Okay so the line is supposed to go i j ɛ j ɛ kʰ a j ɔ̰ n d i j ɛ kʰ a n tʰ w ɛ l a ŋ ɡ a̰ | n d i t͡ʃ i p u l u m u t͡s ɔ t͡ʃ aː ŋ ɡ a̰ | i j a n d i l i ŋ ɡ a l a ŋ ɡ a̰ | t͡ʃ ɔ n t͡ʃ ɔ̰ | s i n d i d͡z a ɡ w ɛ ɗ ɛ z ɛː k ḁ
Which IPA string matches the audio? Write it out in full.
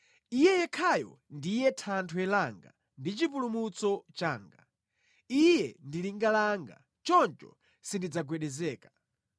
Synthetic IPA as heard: i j ɛ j ɛ kʰ a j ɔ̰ n d i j ɛ tʰ a n tʰ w ɛ l a ŋ ɡ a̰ | n d i t͡ʃ i p u l u m u t͡s ɔ t͡ʃ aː ŋ ɡ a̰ | i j ɛ n d i l i ŋ ɡ a l a ŋ ɡ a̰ | t͡ʃ ɔ n t͡ʃ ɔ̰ | s i n d i d͡z a ɡ w ɛ ɗ ɛ z ɛː k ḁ